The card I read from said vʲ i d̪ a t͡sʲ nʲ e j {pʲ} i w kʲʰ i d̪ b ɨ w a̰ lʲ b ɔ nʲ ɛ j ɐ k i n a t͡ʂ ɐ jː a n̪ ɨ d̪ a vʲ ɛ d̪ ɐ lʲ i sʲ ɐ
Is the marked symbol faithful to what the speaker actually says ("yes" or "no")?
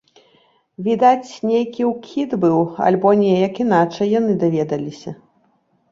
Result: no